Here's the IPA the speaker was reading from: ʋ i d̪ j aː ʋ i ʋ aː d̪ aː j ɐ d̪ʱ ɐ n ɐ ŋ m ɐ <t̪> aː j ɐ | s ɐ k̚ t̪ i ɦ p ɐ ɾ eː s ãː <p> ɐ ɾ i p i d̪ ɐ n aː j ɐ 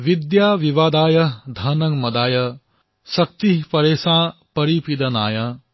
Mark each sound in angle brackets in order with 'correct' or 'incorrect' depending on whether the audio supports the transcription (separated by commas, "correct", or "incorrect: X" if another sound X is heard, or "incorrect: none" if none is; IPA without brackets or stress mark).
incorrect: d̪, correct